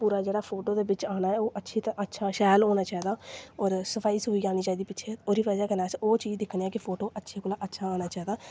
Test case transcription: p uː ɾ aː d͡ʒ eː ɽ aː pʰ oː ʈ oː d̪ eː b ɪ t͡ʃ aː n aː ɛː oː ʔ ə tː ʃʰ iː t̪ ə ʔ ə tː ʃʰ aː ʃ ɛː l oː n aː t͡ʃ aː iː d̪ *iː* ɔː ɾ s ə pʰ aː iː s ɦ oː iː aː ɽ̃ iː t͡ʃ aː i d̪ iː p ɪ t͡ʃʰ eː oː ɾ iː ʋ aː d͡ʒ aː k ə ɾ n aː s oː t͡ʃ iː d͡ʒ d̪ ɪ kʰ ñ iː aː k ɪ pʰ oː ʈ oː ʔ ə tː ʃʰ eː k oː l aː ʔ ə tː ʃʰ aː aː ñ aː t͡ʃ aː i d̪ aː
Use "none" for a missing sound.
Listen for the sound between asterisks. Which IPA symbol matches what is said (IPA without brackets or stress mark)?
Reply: aː